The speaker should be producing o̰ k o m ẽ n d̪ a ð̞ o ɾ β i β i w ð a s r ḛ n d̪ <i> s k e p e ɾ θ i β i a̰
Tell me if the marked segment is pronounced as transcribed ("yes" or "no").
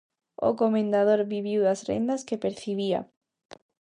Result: no